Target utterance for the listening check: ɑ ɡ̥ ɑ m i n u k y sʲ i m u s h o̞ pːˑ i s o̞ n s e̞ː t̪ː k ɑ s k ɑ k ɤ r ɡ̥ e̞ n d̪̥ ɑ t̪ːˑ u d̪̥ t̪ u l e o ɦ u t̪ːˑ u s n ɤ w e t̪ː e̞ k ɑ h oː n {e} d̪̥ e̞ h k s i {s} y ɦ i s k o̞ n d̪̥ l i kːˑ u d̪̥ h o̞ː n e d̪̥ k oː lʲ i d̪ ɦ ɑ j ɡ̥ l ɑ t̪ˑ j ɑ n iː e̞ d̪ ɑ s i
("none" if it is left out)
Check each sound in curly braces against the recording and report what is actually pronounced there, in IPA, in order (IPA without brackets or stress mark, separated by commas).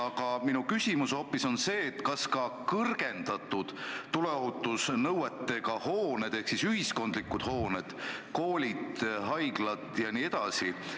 e, s